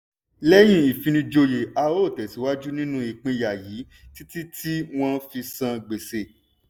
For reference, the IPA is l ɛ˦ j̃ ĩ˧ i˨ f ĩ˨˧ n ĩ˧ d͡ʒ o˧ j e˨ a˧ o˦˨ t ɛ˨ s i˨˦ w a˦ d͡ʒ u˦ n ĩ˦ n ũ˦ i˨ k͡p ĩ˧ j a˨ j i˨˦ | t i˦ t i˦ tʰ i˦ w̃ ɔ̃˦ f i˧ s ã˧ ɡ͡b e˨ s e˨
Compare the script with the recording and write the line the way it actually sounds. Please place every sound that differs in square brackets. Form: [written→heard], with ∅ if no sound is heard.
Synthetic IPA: l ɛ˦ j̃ ĩ˧ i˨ f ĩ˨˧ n ĩ˧ d͡ʒ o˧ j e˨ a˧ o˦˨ t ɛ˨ s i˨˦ w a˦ d͡ʒ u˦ n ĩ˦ n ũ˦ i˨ k͡p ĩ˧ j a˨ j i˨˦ | t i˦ t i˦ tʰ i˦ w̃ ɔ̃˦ f i˧ s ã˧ ɡ͡b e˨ s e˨